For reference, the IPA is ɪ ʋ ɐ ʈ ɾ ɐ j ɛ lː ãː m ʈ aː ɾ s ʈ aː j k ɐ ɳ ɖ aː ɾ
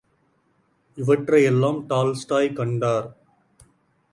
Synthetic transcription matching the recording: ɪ ʋ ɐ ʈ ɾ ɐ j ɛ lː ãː m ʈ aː l s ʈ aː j k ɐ ɳ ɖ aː ɾ